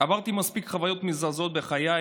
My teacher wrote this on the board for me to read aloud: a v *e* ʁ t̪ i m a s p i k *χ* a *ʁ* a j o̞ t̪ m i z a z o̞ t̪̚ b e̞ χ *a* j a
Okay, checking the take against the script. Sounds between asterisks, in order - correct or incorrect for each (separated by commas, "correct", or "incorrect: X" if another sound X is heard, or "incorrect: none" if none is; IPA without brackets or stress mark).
incorrect: a, correct, incorrect: v, correct